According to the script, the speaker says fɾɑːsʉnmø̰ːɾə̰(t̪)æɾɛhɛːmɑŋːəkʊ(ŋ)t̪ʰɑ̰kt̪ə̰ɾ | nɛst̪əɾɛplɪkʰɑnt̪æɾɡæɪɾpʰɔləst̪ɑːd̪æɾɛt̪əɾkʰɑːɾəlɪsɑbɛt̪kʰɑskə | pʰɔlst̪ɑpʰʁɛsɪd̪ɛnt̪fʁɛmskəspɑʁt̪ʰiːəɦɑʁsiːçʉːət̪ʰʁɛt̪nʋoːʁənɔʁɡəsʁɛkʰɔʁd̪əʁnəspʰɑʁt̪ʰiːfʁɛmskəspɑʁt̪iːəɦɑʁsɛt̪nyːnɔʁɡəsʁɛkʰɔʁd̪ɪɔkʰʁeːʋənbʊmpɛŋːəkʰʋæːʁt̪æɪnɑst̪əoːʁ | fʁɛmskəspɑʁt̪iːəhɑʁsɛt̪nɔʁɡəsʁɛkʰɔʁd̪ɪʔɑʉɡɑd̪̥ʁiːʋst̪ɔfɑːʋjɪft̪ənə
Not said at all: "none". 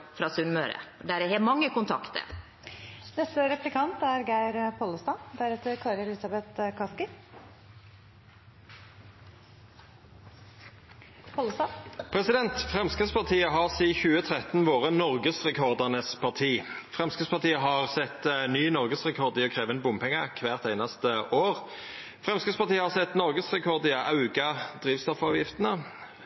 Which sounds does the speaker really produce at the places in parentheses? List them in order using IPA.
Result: d̪, n

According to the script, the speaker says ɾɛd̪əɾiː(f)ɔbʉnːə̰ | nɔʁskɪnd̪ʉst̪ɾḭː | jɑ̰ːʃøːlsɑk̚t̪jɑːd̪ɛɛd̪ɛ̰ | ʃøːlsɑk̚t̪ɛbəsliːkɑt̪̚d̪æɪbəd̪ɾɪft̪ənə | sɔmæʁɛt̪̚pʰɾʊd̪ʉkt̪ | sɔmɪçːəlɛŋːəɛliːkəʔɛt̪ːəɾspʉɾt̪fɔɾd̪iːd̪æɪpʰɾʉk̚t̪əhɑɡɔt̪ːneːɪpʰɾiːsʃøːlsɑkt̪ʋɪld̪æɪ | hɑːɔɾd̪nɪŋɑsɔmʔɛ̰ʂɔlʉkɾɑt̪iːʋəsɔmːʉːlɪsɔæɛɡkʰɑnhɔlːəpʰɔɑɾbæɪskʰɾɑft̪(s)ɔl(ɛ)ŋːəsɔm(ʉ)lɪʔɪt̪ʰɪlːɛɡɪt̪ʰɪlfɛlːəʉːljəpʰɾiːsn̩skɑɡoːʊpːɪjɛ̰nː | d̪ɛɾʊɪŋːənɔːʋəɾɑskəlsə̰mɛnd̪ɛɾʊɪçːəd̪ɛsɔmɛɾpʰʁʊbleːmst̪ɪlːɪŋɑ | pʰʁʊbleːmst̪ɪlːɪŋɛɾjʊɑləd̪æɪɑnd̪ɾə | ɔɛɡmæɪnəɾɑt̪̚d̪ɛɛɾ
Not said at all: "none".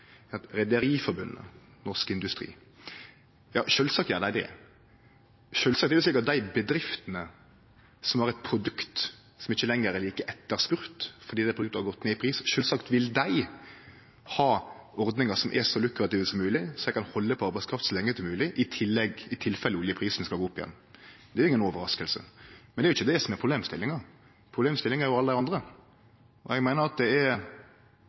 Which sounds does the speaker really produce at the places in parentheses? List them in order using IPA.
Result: f, s, ɛ, ʉː

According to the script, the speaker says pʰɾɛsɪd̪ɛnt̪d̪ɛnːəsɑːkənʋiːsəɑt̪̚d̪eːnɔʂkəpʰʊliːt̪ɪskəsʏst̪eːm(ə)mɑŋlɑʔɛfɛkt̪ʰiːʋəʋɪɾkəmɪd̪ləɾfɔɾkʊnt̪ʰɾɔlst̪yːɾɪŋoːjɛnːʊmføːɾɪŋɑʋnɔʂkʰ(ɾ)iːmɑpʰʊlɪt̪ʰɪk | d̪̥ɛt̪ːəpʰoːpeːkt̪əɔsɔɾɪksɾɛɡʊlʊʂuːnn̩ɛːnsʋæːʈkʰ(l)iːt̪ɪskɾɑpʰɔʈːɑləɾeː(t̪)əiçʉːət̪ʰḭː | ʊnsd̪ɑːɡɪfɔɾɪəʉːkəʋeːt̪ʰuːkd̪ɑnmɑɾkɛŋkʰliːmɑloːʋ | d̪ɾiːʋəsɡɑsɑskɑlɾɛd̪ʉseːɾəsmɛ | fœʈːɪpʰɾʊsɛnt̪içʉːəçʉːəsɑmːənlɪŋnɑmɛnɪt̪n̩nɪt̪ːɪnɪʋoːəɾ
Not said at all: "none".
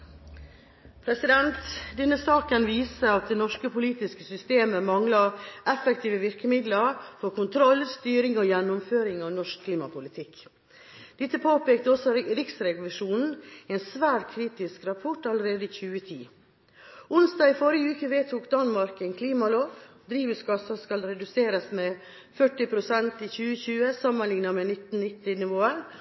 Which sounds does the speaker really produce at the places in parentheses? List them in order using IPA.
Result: ə, l, ɾ, d̪

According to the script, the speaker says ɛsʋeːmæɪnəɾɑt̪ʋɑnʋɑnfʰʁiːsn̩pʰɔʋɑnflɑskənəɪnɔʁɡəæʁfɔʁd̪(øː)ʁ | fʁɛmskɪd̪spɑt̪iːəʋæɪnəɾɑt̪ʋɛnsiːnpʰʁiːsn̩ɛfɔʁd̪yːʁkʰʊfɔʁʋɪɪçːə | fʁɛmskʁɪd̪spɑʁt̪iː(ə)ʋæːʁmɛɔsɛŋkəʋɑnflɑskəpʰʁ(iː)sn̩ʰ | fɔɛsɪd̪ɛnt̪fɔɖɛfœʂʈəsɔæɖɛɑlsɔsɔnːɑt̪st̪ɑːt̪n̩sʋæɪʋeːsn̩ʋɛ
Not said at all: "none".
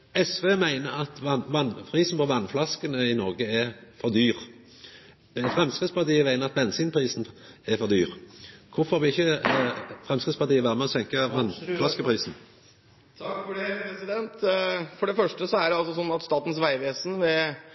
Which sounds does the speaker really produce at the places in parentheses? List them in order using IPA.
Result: yː, ə, iː

